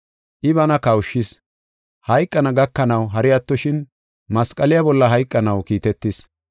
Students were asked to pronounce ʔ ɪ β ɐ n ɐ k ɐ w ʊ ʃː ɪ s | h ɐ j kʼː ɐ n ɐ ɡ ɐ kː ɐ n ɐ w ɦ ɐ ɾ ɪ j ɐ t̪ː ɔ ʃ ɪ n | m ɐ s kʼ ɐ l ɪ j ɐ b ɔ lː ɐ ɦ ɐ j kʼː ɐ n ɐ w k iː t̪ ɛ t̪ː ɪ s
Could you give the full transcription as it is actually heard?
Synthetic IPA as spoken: ʔ ɪ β ɐ n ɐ k ɐ w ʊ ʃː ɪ s | h ɐ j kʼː ɐ n ɐ ɡ ɐ kː ɐ n ɐ w ɦ ɐ ɾ ɪ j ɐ t̪ː ɔ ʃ ɪ n | m ɐ s kʼ ɐ l ɪ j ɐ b ɔ lː ɐ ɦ ɐ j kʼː ɐ n ɐ w k iː t̪ ɛ t̪ː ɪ s